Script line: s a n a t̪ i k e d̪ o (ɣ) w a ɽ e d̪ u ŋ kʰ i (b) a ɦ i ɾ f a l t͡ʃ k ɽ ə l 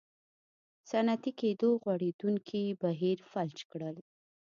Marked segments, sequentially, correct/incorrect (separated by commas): correct, correct